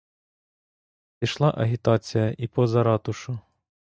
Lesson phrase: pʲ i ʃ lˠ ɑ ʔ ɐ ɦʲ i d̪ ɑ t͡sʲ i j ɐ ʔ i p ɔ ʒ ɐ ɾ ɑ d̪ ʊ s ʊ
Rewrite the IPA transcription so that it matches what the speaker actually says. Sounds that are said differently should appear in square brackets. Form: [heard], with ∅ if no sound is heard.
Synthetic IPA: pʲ i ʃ lˠ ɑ ʔ ɐ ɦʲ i [t̪] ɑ t͡sʲ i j ɐ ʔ i p ɔ [z] ɐ ɾ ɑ [t̪] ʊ [ʃ] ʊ